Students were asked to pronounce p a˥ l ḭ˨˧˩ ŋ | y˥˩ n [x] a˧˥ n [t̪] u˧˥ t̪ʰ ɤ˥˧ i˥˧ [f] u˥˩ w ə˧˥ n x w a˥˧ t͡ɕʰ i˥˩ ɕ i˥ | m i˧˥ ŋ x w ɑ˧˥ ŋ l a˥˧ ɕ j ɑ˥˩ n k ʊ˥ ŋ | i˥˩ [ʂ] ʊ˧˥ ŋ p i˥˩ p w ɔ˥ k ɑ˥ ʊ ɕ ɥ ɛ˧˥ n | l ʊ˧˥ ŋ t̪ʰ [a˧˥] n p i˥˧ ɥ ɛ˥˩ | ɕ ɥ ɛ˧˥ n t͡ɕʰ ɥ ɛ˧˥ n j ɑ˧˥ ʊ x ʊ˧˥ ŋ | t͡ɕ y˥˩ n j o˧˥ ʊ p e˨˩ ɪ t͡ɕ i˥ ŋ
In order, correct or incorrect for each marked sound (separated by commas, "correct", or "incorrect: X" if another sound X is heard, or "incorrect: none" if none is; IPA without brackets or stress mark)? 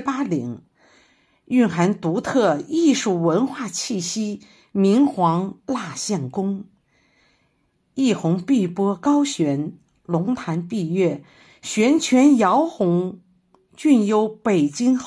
correct, correct, incorrect: ʂ, incorrect: x, correct